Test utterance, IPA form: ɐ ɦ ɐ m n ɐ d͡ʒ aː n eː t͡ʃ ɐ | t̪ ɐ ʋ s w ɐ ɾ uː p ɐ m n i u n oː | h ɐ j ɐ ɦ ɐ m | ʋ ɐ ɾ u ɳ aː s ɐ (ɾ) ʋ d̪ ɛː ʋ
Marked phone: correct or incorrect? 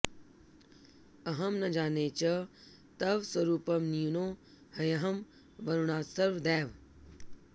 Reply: correct